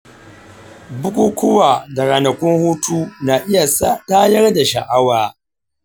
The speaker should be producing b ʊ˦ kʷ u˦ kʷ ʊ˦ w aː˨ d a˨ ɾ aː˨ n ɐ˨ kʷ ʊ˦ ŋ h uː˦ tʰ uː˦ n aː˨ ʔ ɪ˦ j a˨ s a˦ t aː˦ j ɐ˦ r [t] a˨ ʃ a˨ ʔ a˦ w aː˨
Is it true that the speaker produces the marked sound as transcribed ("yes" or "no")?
no